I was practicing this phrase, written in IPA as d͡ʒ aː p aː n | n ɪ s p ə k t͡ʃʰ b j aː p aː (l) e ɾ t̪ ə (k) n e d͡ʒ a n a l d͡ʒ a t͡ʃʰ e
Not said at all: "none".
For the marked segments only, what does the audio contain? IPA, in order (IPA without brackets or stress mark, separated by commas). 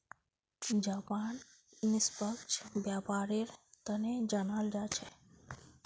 ɾ, none